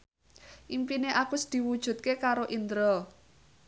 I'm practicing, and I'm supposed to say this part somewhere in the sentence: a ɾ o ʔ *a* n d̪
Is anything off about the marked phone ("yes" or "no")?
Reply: yes